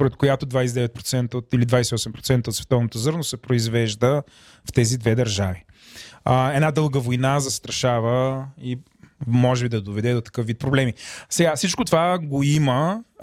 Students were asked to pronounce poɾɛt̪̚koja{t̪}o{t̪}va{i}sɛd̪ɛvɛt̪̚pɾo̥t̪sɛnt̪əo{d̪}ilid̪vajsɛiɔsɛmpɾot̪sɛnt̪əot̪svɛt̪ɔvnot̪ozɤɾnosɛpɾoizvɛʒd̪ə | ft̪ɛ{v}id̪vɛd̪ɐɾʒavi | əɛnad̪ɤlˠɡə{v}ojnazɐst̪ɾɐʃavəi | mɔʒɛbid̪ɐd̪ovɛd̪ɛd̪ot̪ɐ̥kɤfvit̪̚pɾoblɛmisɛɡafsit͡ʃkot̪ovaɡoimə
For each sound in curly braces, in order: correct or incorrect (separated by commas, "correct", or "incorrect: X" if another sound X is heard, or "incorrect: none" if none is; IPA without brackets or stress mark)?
correct, incorrect: d̪, incorrect: j, incorrect: t̪, incorrect: z, correct